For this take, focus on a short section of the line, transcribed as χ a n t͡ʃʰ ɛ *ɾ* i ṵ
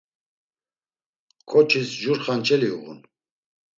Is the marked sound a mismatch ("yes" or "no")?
yes